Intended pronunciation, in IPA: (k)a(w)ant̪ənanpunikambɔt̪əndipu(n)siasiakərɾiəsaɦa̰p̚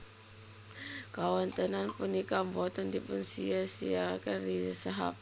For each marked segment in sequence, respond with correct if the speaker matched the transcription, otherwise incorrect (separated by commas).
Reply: correct, correct, correct